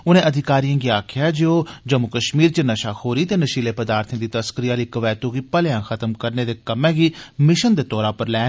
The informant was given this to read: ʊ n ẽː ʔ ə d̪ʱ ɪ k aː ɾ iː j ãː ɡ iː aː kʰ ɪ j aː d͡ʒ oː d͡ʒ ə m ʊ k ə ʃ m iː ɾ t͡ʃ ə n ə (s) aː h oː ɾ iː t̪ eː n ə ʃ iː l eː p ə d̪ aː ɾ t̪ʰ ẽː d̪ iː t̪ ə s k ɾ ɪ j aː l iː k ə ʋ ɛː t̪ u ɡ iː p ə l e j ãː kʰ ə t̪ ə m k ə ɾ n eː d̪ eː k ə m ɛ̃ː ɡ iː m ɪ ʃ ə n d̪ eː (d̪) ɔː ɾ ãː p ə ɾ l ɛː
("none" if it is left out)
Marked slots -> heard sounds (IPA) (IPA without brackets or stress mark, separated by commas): ʃ, t̪